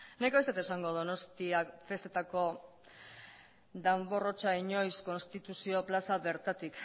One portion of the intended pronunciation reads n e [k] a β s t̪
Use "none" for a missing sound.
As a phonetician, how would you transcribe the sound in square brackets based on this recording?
k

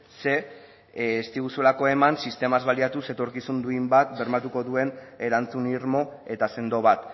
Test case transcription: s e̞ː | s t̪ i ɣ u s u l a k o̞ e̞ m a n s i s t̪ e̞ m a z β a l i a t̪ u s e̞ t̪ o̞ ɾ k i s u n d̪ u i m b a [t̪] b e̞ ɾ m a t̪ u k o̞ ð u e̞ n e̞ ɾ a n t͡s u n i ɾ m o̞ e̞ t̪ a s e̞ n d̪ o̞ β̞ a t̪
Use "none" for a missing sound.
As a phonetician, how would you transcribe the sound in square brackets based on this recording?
t̪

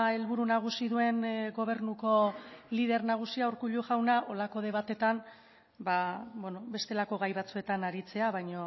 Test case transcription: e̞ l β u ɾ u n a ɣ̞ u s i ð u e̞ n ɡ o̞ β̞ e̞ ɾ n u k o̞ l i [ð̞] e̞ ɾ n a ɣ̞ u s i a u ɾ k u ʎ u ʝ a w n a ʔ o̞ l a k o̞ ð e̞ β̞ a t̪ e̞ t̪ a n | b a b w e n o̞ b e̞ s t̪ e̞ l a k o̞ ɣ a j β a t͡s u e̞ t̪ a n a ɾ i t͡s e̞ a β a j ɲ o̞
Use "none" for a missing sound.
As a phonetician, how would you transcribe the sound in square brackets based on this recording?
ð̞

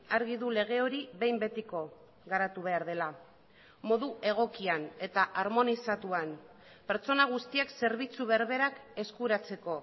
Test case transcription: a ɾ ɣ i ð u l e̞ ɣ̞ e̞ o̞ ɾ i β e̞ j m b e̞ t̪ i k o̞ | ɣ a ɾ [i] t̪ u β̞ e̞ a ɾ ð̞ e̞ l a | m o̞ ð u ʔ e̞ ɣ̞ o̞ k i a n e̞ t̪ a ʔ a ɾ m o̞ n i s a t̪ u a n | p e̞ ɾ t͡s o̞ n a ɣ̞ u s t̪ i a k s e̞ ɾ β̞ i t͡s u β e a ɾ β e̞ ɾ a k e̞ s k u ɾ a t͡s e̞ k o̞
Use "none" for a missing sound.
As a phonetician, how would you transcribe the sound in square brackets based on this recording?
a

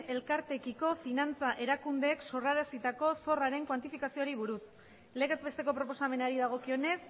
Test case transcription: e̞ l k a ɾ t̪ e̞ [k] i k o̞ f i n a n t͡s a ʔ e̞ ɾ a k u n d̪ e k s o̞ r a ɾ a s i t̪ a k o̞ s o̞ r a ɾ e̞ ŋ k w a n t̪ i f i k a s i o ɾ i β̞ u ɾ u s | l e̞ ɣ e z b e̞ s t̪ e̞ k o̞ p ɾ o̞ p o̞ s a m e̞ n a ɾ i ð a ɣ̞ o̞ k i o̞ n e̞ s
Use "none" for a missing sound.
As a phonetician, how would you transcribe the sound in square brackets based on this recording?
k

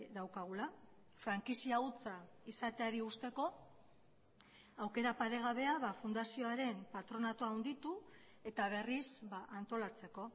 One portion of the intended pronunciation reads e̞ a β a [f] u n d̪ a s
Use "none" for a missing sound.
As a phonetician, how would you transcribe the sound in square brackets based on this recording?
f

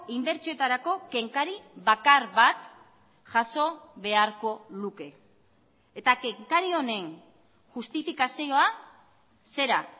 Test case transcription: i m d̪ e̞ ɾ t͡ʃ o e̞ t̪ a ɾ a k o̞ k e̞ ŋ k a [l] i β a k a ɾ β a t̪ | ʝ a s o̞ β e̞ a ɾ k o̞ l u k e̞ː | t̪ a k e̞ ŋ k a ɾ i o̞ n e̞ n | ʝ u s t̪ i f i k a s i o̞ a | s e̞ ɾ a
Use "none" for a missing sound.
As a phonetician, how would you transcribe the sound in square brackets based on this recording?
ɾ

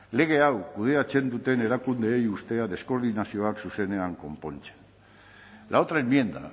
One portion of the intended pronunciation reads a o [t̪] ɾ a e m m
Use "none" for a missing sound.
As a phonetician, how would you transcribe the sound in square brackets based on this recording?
t̪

